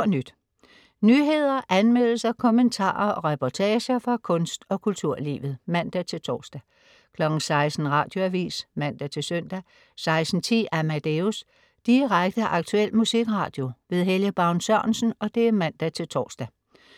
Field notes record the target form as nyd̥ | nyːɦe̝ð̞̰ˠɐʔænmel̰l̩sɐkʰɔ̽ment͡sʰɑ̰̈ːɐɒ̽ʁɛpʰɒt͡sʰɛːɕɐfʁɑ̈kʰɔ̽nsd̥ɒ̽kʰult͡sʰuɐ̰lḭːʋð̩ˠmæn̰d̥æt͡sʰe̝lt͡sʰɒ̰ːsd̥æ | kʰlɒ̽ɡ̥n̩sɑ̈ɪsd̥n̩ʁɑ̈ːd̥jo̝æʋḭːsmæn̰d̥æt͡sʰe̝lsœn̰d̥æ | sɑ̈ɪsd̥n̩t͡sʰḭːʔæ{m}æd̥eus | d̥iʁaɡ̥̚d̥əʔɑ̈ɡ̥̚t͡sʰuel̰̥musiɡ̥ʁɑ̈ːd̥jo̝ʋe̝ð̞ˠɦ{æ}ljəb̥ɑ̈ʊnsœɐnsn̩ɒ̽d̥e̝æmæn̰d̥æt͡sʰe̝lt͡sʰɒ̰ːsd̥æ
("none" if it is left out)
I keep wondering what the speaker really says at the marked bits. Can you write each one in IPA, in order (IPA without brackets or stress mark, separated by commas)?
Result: m, e